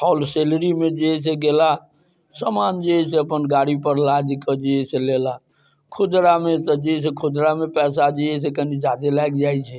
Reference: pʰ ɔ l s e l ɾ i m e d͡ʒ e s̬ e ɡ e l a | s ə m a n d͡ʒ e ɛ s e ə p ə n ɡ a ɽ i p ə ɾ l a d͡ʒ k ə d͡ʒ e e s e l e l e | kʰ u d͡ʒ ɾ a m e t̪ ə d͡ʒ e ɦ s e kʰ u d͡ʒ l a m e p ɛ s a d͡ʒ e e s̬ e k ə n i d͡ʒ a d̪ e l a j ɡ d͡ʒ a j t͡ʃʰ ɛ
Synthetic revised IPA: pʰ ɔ l s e l ɾ i m e d͡ʒ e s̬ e ɡ e l a | s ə m a n d͡ʒ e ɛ s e ə p ə n ɡ a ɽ i p ə ɾ l a d͡ʒ k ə d͡ʒ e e s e l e l a | kʰ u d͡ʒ ɾ a m e t̪ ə d͡ʒ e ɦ s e kʰ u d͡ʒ ɾ a m e p ɛ s a d͡ʒ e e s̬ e k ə n i d͡ʒ a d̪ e l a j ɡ d͡ʒ a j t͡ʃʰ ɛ